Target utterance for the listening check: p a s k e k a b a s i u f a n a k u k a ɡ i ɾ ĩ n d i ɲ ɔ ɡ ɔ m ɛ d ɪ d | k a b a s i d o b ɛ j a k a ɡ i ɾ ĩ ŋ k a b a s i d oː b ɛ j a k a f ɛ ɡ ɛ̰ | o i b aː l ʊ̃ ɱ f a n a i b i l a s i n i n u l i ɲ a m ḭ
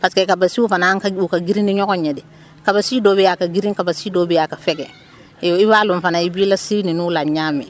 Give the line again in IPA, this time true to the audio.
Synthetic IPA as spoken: p a s k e k a b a s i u f a n a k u k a ɡ i ɾ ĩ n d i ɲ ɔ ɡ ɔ ɲ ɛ d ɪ | k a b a s i d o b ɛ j a k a ɡ i ɾ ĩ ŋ k a b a s i d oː b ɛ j a k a f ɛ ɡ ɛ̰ | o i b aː l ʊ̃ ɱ f a n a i b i l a s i n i n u l a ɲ a m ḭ

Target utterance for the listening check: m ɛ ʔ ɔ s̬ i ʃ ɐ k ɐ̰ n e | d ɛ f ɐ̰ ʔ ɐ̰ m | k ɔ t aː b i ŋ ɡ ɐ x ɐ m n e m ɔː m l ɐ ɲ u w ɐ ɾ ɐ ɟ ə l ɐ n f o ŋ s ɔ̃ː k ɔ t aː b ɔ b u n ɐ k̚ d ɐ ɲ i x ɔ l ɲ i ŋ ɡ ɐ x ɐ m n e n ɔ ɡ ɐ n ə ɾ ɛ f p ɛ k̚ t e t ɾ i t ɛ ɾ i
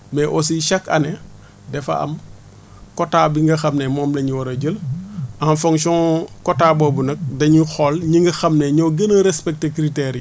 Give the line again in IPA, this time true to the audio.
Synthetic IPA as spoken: m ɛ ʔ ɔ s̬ i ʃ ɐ k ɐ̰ n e | d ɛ f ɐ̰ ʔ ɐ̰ m | k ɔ t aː b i ŋ ɡ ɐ x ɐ m n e m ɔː m l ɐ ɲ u w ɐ ɾ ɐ ɟ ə l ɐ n f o ŋ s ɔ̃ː k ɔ t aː b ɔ b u n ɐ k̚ d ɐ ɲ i x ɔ l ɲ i ŋ ɡ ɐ x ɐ m n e ɲ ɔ ɡ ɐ n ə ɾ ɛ s p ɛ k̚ t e k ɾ i t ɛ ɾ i

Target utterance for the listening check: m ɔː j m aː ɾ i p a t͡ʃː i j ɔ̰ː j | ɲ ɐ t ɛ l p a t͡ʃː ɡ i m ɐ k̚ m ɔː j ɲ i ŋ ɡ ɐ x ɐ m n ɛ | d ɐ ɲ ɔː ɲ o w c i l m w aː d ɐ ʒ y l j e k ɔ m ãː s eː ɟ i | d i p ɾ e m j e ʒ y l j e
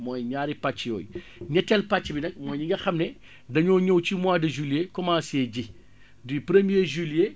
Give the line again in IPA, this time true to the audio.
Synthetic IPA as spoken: m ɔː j ɲ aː ɾ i p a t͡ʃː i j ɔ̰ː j | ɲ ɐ t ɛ l p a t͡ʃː b i n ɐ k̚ m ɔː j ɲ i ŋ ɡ ɐ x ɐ m n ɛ | d ɐ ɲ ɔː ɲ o w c i m w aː d ɐ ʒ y l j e k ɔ m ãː s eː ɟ i | d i p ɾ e m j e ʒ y l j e

